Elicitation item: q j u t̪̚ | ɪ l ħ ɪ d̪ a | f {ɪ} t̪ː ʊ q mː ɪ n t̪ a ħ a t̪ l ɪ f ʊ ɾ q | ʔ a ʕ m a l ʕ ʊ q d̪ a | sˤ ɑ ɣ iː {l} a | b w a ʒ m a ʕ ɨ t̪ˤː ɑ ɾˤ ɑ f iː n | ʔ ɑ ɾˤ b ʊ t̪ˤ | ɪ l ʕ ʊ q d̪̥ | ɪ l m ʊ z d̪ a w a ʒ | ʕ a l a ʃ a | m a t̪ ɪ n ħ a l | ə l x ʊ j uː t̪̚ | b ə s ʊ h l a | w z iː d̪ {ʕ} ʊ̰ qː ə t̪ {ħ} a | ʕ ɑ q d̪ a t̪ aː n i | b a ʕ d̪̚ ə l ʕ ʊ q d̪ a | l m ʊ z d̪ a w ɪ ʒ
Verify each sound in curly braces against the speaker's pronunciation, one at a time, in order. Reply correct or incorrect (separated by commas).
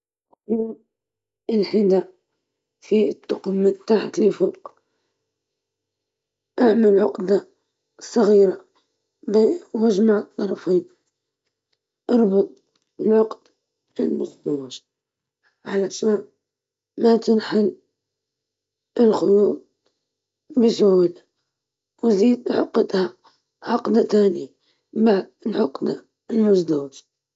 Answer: incorrect, incorrect, correct, incorrect